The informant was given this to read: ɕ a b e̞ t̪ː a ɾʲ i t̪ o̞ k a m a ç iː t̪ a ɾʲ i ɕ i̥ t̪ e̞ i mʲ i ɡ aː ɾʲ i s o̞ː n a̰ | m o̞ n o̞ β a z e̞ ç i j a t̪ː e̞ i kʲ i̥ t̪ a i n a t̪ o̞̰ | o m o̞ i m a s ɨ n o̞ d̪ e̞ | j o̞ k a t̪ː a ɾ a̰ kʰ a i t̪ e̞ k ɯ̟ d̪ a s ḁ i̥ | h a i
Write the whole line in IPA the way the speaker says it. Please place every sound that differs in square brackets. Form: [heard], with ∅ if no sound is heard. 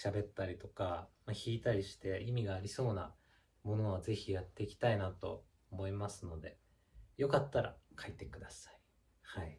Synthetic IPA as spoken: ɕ a b e̞ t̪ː a ɾʲ i t̪ o̞ k a m a ç iː t̪ a ɾʲ i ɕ i̥ t̪ e̞ i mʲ i ɡ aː ɾʲ i s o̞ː n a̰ | m o̞ n o̞ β a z e̞ ç i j a t̪ː e̞ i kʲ i̥ t̪ a i n a t̪ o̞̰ | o m o̞ i m a s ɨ n o̞ d̪ e̞ | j o̞ k a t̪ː a ɾ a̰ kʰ a i t̪ e̞ k ɯ̟ d̪ a s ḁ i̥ | h a i